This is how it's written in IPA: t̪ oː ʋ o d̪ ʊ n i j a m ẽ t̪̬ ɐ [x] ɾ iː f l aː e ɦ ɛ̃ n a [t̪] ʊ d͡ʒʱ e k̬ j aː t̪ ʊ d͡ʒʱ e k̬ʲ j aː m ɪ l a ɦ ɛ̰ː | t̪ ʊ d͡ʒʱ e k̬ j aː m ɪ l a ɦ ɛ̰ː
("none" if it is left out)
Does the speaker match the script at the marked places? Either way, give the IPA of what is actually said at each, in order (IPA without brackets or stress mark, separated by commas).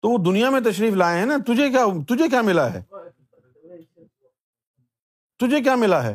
ʃ, t̪